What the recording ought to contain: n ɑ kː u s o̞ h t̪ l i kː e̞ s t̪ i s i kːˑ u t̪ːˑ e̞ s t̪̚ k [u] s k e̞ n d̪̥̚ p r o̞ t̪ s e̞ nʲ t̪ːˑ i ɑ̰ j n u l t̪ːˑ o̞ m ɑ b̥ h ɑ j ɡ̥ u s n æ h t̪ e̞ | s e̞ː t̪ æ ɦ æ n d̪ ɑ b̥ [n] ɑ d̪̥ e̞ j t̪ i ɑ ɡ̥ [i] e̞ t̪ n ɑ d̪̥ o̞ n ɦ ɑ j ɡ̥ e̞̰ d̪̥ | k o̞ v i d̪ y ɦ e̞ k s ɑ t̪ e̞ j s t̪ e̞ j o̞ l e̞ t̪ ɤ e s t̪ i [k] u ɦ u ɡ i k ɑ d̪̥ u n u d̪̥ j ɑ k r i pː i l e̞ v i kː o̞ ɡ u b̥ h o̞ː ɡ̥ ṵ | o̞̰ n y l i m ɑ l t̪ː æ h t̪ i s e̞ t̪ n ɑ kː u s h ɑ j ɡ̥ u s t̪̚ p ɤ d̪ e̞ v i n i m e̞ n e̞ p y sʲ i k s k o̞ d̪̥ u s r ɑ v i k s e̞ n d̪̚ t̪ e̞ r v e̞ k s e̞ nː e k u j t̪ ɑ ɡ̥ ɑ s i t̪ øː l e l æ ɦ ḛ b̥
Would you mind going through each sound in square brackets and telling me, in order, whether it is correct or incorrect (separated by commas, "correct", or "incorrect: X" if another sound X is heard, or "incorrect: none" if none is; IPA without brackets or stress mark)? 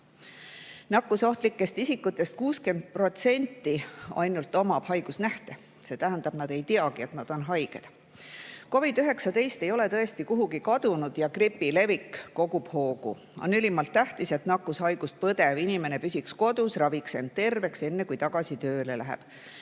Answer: incorrect: uː, correct, correct, correct